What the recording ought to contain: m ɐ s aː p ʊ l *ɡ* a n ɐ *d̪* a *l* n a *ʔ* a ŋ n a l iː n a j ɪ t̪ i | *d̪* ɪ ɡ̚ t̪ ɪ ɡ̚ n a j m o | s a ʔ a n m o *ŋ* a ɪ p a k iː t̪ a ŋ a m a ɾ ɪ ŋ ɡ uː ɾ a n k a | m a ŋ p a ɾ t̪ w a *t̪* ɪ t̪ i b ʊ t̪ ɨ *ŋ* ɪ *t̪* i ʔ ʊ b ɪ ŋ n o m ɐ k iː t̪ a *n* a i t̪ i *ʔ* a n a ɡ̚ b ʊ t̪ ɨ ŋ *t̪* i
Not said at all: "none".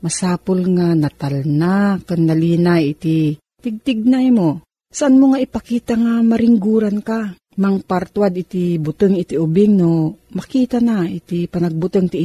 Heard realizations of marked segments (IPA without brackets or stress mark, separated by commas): ŋ, t̪, l, k, t̪, ŋ, d̪, ŋ, t̪, n, p, t̪